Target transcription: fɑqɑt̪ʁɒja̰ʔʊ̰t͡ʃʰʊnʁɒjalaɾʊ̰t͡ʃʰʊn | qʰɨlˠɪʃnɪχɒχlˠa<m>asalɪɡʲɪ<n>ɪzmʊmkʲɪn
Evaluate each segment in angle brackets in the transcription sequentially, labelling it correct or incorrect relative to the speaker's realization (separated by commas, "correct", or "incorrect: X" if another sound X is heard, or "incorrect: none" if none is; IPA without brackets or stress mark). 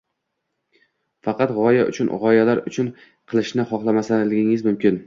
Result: correct, incorrect: ŋ